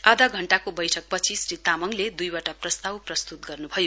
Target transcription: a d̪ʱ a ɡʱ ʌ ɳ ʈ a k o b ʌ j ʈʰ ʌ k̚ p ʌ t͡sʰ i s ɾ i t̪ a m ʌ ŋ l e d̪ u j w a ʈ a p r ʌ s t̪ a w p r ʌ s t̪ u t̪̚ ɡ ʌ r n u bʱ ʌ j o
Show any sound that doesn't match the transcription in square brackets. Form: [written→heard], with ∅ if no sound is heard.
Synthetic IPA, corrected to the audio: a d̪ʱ a ɡʱ ʌ ɳ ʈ a k o b ʌ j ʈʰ ʌ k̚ p ʌ t͡sʰ i s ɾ i t̪ a m ʌ ŋ l e d̪ u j w a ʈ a p r ʌ s t̪ a w p r ʌ s t̪ u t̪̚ ɡ ʌ r n u bʱ ʌ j o

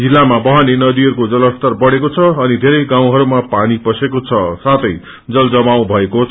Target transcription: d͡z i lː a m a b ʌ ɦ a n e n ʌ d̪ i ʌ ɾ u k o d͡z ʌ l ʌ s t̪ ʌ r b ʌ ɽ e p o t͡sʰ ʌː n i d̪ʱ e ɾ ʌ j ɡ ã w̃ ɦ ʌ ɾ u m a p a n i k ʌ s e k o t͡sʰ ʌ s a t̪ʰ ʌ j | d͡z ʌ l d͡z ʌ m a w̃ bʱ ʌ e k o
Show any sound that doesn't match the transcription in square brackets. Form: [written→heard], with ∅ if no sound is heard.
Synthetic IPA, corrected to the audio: d͡z i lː a m a b ʌ ɦ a n e n ʌ d̪ i ʌ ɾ u k o d͡z ʌ l ʌ s t̪ ʌ r b ʌ ɽ e [p→k] o t͡sʰ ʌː n i d̪ʱ e ɾ ʌ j ɡ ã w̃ ɦ ʌ ɾ u m a p a n i [k→p] ʌ s e k o t͡sʰ ʌ s a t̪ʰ ʌ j | d͡z ʌ l d͡z ʌ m a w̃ bʱ ʌ e k o

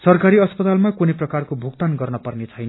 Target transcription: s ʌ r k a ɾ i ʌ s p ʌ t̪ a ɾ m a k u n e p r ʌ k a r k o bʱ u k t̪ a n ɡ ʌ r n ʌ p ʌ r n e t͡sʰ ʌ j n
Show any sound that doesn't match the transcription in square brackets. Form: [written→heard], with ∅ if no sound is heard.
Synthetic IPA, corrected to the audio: s ʌ r k a ɾ i ʌ s p ʌ t̪ a [ɾ→l] m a k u n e p r ʌ k a r k o bʱ u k t̪ a n ɡ ʌ r n ʌ p ʌ r n e t͡sʰ ʌ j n

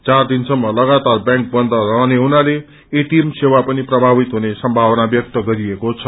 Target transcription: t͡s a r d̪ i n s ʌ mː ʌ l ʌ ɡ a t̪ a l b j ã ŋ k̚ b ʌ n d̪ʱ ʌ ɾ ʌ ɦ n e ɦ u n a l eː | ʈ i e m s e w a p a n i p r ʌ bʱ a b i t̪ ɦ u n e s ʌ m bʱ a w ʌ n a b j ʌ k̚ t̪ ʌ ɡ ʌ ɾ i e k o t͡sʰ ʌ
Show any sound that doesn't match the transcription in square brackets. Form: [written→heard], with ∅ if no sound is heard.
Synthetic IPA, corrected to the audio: t͡s a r d̪ i n s ʌ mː ʌ l ʌ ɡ a t̪ a [l→r] b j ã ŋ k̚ b ʌ n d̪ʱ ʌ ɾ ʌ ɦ n e ɦ u n a l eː | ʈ i e m s e w a p [a→ʌ] n i p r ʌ bʱ a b i t̪ ɦ u n e s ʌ m bʱ a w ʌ n a b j ʌ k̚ t̪ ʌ ɡ ʌ ɾ i e k o t͡sʰ ʌ

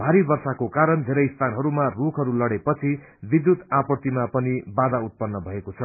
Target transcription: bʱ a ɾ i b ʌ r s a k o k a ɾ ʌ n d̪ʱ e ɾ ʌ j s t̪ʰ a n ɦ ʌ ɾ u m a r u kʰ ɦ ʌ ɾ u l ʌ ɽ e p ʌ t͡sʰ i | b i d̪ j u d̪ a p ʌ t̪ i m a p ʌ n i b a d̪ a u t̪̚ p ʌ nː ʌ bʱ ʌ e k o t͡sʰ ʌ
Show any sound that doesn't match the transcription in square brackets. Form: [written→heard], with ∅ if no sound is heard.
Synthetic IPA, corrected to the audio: bʱ a ɾ i b ʌ r s a k o k a ɾ ʌ n d̪ʱ e ɾ ʌ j s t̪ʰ a n ɦ ʌ ɾ u m a r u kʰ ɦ ʌ ɾ u l ʌ ɽ e p ʌ t͡sʰ i | b i d̪ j u [d̪→t̪] a p ʌ t̪ i m a p ʌ n i b a d̪ a u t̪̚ p ʌ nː ʌ bʱ ʌ e k o t͡sʰ ʌ

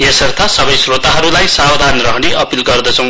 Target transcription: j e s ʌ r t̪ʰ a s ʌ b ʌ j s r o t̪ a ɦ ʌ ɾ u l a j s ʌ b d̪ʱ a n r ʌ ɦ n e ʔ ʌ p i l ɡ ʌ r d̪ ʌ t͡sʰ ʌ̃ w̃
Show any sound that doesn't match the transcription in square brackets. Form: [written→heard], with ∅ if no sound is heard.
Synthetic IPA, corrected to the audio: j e s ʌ r t̪ʰ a s ʌ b ʌ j s r o t̪ a ɦ ʌ ɾ u l a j s [ʌ→a] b d̪ʱ a n r ʌ ɦ n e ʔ ʌ p i l ɡ ʌ r d̪ ʌ t͡sʰ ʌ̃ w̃

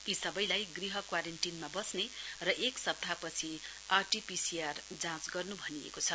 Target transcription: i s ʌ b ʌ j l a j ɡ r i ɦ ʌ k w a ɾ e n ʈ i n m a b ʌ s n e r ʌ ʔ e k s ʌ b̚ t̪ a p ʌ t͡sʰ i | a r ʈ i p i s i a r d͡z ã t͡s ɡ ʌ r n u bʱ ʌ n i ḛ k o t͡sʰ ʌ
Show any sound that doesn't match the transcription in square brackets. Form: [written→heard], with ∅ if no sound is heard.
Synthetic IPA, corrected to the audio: i s ʌ b ʌ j l a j ɡ r i ɦ ʌ k w a ɾ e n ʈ i n m a b ʌ s n e r ʌ ʔ e k s ʌ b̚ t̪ a p ʌ t͡sʰ i | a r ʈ i p i s i a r d͡z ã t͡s ɡ ʌ r n u bʱ ʌ n i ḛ k o t͡sʰ ʌ

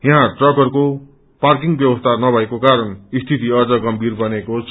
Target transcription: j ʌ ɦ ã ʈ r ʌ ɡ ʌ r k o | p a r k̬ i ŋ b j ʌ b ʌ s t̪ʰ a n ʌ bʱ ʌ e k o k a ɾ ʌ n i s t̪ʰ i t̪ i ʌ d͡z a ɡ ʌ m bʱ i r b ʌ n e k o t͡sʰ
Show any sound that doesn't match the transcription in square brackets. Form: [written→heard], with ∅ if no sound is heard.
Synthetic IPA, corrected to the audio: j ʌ ɦ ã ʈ r ʌ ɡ ʌ r k o | p a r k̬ i ŋ b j ʌ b ʌ s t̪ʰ a n ʌ bʱ ʌ e k o k a ɾ ʌ n i s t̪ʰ i t̪ i ʌ d͡z [a→ʌ] ɡ ʌ m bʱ i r b ʌ n e k o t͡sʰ

